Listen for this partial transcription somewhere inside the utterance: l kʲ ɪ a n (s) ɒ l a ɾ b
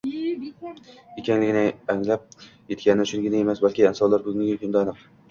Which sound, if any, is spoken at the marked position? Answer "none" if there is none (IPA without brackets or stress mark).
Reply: s